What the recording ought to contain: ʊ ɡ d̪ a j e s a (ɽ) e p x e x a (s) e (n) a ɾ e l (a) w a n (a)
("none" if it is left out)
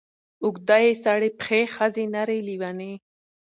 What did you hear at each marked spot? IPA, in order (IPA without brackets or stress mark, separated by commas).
ɽ, z, n, i, e